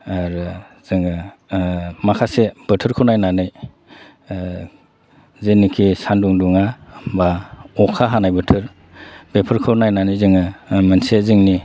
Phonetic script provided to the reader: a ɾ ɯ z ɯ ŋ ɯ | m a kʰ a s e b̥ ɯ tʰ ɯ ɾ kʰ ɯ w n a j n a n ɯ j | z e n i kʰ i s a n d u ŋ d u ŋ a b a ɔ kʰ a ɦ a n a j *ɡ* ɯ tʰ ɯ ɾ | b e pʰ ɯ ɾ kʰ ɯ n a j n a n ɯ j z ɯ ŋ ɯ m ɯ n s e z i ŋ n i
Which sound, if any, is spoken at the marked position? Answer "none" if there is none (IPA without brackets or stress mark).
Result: b